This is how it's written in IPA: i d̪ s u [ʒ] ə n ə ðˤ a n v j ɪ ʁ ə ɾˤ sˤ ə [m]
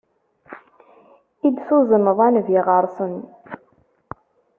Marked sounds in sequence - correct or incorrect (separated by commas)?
incorrect, incorrect